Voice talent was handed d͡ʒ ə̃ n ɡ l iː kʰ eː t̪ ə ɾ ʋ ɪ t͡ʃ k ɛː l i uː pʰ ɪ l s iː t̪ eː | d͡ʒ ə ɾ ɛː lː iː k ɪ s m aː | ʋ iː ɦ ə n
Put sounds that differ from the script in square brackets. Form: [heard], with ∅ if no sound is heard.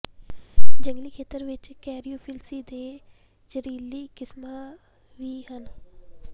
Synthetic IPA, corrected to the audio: d͡ʒ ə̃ [ŋ] ɡ l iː kʰ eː t̪ ə ɾ ʋ ɪ t͡ʃ k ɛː [ɾ] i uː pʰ ɪ l s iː [d̪] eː | d͡ʒ ə ɾ [iː] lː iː k ɪ s m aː | ʋ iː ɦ ə n